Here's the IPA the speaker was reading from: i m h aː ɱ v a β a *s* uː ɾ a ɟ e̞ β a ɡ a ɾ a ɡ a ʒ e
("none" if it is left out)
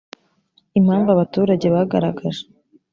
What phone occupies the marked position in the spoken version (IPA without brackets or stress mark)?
t